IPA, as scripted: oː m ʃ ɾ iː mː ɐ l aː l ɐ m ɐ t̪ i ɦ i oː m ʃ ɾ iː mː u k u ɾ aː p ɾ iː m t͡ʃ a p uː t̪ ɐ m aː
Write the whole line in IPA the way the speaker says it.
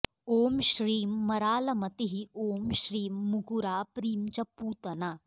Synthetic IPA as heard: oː m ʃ ɾ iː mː ɐ ɾ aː l ɐ m ɐ t̪ i ɦ i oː m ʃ ɾ iː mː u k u ɾ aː p ɾ iː m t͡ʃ ɐ p uː t̪ ɐ n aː